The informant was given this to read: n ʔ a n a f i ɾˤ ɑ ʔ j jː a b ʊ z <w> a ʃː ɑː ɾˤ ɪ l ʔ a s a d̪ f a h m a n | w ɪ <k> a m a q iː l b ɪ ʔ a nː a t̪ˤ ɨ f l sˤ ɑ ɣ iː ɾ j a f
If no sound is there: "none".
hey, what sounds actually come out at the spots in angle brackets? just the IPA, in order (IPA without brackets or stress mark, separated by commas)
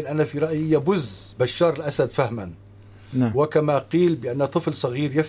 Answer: b, k